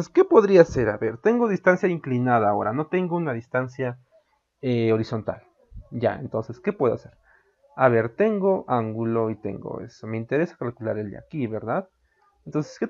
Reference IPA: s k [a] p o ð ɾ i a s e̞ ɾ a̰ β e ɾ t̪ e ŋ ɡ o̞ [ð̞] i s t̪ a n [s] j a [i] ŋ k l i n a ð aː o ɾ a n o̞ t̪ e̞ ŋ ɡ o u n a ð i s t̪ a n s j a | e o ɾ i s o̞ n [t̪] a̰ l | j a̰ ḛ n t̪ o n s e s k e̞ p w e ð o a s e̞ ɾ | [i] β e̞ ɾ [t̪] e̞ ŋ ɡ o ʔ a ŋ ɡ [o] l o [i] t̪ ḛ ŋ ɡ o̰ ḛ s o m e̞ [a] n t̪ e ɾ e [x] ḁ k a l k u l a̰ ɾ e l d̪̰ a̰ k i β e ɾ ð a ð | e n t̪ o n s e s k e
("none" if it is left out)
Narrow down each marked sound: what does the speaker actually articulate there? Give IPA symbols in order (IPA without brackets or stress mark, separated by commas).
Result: e, ð̞, s, i, t̪, a, t̪, u, i, i, s